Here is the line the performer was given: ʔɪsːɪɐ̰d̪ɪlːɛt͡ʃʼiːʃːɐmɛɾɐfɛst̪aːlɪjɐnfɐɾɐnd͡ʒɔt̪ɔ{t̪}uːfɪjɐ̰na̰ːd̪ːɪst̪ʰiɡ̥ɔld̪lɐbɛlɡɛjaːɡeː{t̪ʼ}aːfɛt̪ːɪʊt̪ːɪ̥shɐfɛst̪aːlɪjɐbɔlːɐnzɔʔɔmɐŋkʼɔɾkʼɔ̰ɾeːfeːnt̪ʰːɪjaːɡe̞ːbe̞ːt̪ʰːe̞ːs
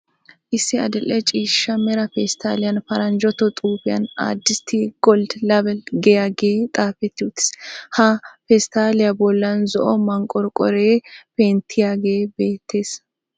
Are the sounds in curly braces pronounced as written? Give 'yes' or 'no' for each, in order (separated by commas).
no, yes